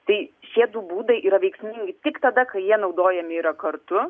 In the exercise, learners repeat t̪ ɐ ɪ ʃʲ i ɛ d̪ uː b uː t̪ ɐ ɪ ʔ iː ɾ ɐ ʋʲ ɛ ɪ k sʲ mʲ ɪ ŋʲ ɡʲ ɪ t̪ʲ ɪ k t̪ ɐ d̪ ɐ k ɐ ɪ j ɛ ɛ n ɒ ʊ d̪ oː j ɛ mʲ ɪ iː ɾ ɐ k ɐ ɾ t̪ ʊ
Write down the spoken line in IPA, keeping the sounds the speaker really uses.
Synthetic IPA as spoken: t̪ ɐ ɪ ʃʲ i ɛ d̪ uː b uː d̪ ɐ ɪ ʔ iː ɾ ɐ ʋʲ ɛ ɪ k sʲ mʲ ɪ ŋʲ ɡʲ ɪ t̪ʲ ɪ k t̪ ɐ d̪ ɐ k ɐ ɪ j i ɛ n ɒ ʊ d̪ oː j ɛ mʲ ɪ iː ɾ ɐ k ɐ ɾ t̪ ʊ